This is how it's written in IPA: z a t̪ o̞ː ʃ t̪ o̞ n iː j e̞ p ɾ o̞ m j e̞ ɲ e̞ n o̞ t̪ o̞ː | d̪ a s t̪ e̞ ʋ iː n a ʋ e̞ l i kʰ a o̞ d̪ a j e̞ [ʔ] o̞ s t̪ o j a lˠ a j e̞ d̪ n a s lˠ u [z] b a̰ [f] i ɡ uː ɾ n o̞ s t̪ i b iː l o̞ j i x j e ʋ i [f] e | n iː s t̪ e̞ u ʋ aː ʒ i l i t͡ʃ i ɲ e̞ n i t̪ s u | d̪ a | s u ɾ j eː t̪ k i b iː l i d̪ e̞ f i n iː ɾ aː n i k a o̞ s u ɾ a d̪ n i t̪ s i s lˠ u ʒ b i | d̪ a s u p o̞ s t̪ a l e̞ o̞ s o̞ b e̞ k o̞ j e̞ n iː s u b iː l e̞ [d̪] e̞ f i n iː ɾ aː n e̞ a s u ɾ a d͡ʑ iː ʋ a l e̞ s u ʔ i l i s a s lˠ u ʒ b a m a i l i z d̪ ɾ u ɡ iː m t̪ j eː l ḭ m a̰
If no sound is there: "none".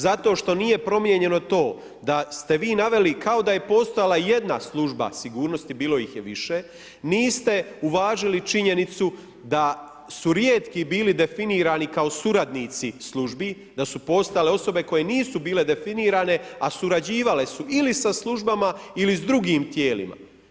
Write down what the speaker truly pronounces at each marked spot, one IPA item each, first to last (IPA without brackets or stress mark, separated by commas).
p, ʒ, s, ʃ, d̪